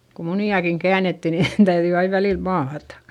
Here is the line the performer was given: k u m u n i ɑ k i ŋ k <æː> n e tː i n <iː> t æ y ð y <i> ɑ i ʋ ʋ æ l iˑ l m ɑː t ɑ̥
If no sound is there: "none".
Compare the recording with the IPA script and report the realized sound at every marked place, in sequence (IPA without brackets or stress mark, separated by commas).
æː, i, i